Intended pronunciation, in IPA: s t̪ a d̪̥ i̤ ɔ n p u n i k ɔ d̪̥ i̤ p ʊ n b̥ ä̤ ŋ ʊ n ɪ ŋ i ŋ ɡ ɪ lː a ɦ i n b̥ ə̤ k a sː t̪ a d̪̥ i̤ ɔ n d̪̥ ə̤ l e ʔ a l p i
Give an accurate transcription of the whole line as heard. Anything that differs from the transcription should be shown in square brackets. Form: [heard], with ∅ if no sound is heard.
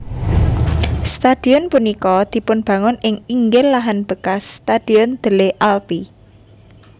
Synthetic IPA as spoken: s t̪ a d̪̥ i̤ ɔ n p u n i k ɔ d̪̥ i̤ p ʊ n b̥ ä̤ ŋ ʊ n ɪ ŋ i ŋ ɡ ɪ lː a ɦ [a] n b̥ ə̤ k a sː t̪ a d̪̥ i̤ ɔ n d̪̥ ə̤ l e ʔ a l p i